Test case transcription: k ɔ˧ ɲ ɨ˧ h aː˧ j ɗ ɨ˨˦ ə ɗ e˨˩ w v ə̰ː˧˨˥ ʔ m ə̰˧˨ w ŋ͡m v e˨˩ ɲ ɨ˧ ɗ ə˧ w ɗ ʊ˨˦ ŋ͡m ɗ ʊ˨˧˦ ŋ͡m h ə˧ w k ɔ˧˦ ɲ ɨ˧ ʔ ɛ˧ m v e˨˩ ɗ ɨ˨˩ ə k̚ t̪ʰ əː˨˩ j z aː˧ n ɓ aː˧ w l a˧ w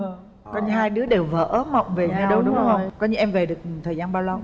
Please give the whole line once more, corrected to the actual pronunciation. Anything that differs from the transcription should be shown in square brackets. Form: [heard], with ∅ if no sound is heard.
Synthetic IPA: k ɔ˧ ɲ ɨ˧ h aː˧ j ɗ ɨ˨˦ ə ɗ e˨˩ w v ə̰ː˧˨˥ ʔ m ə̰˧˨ w ŋ͡m v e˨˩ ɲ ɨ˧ ɗ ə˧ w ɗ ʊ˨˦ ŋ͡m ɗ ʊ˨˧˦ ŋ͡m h ə˧ w k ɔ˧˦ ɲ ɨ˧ ʔ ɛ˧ m v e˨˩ ɗ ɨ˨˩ ə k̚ t̪ʰ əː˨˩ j z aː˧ n ɓ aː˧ w l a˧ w